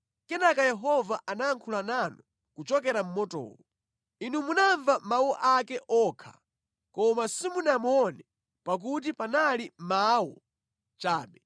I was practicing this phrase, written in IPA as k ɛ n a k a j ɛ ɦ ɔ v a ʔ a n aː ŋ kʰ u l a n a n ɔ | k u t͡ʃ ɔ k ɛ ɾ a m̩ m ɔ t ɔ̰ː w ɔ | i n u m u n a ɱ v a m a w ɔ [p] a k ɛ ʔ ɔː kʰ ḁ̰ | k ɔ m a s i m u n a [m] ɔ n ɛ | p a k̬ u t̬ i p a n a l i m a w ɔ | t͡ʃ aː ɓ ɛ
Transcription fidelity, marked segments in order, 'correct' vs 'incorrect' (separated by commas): incorrect, correct